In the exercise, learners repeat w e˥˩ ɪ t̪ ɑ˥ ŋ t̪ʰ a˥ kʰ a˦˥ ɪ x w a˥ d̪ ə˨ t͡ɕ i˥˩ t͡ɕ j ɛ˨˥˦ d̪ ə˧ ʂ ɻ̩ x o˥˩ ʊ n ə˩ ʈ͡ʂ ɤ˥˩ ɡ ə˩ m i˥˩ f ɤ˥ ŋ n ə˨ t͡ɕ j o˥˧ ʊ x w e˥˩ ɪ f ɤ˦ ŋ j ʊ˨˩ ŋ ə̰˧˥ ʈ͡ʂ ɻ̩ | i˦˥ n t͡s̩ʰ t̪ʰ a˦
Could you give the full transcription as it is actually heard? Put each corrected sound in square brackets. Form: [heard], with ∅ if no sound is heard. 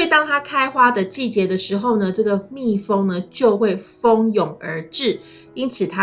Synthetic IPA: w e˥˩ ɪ t̪ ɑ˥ ŋ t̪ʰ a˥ kʰ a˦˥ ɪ x w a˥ d̪ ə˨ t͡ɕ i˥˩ t͡ɕ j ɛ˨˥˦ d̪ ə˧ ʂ ɻ̩ x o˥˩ ʊ n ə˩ ʈ͡ʂ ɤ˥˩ ɡ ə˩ m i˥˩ f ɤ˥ ŋ n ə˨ t͡ɕ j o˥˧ ʊ x w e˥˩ ɪ f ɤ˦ ŋ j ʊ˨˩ ŋ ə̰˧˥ ʈ͡ʂ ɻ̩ | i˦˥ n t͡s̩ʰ t̪ʰ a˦